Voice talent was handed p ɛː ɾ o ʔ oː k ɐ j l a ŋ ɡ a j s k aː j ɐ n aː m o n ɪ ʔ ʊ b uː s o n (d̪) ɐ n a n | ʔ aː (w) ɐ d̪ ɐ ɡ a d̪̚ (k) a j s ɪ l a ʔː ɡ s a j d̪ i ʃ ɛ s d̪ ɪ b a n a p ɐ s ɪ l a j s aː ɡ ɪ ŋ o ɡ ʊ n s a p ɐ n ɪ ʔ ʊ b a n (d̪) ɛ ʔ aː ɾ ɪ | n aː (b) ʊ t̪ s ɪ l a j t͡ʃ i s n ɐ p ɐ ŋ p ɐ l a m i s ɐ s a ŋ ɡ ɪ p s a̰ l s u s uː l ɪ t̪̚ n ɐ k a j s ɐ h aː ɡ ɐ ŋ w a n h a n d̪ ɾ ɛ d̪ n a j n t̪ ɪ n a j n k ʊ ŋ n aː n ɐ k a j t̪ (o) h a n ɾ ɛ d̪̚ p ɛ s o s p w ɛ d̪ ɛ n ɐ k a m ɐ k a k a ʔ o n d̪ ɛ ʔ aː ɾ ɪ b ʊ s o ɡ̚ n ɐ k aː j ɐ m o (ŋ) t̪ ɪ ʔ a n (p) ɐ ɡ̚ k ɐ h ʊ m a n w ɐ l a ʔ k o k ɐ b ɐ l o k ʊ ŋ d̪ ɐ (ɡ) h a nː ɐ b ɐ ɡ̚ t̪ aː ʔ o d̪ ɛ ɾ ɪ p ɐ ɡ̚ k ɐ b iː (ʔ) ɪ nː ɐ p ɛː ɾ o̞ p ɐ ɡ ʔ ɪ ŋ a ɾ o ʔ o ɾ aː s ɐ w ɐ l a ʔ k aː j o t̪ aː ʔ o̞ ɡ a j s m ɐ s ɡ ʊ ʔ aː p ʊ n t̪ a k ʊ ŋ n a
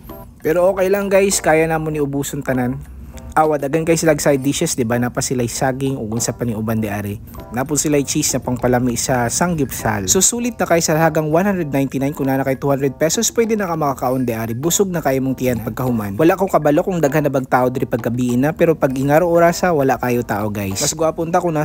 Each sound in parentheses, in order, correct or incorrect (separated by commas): incorrect, correct, correct, correct, incorrect, incorrect, correct, correct, correct, correct